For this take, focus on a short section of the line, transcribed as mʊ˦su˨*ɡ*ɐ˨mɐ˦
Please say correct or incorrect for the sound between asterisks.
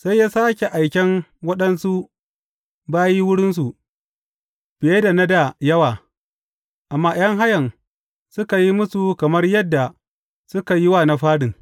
incorrect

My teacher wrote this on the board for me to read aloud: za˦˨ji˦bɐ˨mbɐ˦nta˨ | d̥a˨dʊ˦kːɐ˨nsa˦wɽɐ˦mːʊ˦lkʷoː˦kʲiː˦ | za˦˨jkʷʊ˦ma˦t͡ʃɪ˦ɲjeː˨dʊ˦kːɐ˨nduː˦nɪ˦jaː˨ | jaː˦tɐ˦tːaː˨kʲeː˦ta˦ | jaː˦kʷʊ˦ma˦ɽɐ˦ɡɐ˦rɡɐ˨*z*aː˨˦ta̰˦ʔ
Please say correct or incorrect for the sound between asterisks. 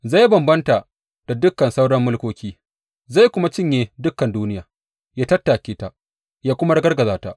correct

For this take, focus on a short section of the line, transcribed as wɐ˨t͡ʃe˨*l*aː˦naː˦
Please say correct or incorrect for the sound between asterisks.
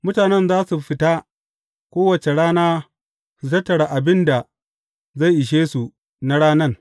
incorrect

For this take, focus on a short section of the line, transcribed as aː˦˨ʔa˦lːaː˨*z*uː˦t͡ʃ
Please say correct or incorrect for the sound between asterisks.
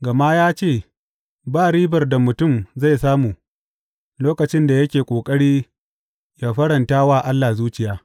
correct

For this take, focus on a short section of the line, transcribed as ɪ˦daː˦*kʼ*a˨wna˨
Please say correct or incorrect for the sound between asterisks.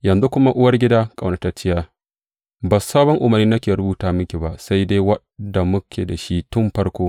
correct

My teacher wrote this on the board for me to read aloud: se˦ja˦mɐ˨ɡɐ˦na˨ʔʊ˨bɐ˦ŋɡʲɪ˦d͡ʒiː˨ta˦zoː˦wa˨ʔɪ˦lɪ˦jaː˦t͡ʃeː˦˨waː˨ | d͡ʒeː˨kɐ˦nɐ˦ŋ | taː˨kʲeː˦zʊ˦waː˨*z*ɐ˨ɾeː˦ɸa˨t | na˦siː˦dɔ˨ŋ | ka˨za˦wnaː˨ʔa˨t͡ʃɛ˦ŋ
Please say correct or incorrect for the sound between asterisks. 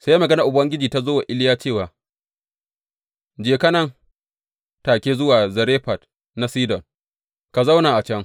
correct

